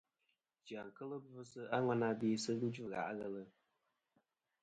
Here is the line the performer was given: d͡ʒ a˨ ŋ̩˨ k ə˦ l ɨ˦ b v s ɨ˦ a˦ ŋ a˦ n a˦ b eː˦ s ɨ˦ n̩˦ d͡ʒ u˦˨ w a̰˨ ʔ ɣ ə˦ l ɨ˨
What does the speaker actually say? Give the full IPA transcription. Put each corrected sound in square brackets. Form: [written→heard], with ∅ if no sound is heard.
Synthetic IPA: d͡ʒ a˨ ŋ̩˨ k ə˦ l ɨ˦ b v s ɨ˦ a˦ ŋ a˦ n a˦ b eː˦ s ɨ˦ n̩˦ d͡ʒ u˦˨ [w→ɣ] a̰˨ ʔ ɣ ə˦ l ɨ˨